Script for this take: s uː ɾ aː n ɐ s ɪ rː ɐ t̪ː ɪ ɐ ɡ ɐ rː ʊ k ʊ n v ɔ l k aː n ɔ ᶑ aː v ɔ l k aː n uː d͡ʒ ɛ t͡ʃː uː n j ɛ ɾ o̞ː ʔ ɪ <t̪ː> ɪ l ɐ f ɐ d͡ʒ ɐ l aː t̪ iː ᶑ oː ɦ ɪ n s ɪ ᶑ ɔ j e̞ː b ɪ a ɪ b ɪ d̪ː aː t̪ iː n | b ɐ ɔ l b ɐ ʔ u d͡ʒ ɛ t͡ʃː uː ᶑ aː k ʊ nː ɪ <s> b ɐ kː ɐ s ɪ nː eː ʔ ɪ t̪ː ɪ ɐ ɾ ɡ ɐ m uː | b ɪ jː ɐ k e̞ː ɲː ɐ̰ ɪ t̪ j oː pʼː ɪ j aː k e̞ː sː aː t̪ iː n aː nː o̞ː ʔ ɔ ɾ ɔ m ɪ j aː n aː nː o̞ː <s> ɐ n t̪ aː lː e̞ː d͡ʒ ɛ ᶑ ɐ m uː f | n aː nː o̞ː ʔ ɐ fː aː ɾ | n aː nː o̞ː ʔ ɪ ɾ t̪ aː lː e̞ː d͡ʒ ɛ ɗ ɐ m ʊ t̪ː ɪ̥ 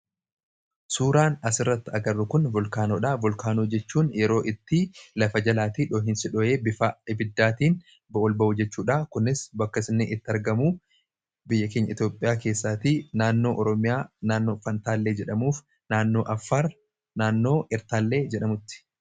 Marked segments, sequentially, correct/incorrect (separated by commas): correct, correct, incorrect